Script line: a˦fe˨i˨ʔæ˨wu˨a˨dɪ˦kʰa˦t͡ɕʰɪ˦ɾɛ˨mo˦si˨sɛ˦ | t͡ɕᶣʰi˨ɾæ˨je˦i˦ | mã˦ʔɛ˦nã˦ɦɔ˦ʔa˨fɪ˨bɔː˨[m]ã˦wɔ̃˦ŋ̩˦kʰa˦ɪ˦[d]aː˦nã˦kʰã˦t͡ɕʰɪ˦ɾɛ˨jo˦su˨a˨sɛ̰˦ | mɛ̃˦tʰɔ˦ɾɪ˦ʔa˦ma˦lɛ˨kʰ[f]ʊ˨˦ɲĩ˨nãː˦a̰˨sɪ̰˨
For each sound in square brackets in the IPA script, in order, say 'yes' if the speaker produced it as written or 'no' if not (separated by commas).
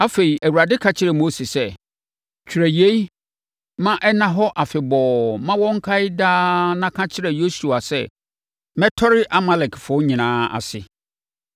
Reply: yes, yes, yes